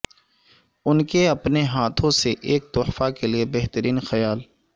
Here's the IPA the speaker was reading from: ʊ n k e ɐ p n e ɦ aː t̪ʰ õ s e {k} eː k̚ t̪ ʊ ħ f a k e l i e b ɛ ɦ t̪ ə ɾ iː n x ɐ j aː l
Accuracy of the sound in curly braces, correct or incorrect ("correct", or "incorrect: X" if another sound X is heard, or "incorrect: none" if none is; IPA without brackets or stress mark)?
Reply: incorrect: ʔ